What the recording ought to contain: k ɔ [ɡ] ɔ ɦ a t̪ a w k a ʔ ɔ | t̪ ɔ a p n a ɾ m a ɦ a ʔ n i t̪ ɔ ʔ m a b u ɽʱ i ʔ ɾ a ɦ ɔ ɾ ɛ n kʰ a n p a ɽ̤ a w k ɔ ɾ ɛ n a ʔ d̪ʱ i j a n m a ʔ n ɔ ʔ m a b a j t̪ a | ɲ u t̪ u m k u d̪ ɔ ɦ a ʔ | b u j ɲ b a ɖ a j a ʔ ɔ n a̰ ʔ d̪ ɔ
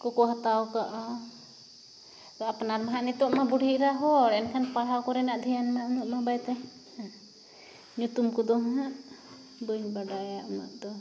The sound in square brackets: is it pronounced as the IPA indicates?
no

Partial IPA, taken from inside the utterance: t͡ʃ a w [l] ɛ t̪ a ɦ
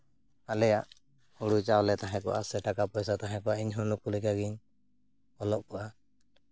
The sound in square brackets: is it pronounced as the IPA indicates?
yes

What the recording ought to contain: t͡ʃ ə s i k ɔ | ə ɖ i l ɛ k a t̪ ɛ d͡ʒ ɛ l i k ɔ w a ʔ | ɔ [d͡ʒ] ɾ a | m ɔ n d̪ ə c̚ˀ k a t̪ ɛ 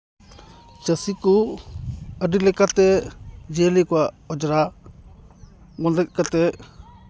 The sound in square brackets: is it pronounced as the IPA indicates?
yes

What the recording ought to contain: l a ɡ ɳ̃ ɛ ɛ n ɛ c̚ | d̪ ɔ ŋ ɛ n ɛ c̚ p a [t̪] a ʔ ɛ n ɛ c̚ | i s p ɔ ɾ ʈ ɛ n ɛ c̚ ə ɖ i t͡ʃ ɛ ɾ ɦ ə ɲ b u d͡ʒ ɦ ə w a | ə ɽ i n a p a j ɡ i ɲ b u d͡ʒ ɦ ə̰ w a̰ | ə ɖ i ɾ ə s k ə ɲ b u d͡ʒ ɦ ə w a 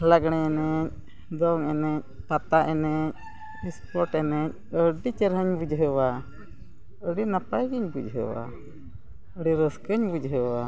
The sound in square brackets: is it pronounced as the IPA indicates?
yes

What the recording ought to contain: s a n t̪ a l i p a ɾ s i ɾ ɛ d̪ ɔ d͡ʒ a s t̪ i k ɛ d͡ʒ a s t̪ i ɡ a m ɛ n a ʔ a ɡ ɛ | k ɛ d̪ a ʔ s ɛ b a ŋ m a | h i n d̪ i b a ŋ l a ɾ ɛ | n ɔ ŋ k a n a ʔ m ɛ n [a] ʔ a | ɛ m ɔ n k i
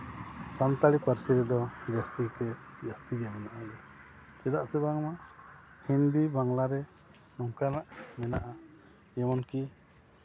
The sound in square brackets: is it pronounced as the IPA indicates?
yes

